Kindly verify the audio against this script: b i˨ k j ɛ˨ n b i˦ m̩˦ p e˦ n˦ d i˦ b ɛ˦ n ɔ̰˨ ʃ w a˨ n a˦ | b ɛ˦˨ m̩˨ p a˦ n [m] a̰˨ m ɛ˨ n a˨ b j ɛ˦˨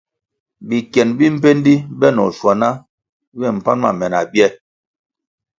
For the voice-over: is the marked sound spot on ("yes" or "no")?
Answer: yes